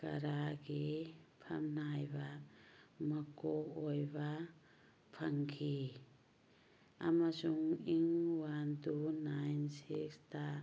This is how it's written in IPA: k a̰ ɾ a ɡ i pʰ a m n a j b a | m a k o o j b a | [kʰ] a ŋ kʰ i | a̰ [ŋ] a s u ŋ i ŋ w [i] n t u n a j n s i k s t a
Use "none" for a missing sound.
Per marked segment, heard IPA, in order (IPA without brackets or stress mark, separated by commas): pʰ, m, a